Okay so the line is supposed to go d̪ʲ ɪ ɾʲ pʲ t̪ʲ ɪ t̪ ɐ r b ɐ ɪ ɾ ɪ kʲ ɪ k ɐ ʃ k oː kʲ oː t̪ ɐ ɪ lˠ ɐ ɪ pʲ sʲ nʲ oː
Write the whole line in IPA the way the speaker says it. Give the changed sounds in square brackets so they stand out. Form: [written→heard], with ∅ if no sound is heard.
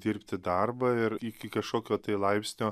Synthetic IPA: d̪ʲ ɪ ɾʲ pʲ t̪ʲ ɪ [t̪→d̪] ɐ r b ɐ ɪ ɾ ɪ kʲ ɪ k ɐ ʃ k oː kʲ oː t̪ ɐ ɪ lˠ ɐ ɪ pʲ sʲ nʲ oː